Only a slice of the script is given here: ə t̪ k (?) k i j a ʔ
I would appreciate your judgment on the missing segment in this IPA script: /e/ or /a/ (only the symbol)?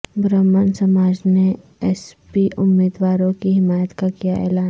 a